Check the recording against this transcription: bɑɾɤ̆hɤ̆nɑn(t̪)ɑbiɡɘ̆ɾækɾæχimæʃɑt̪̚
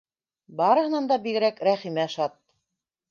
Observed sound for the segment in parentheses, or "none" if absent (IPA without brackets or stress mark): d̪